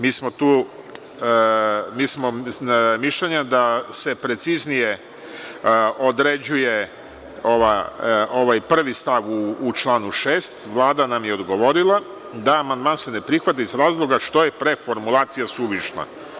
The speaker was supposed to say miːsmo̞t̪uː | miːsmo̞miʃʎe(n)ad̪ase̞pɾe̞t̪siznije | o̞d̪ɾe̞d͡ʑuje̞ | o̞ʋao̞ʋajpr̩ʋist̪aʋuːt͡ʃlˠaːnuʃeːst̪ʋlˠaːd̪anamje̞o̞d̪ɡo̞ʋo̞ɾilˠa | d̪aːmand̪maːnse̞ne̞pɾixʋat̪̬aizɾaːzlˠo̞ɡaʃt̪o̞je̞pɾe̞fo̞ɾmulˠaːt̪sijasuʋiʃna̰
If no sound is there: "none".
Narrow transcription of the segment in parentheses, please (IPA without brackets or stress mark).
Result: ɲ